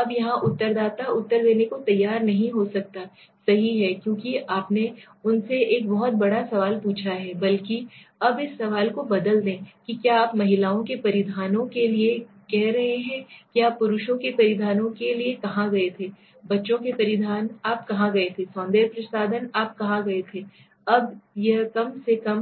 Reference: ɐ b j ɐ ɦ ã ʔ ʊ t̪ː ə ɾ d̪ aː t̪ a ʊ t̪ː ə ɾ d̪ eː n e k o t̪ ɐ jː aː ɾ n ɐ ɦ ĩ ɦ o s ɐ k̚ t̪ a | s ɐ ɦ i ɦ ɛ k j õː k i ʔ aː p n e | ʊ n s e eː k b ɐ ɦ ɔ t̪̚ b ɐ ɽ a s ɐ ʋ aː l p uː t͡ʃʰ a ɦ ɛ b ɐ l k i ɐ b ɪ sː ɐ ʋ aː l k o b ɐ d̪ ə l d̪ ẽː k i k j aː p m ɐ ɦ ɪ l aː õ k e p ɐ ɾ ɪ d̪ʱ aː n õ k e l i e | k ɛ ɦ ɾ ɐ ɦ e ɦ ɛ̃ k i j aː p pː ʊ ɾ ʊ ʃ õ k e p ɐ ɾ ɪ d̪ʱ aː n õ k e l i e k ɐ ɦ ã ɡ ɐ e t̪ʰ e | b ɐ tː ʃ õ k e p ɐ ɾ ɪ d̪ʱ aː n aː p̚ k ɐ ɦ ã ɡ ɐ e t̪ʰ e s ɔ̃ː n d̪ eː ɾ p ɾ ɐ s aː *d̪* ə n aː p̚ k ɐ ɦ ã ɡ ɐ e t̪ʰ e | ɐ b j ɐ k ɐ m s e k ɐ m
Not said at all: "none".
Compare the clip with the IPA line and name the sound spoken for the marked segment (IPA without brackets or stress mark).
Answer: d̪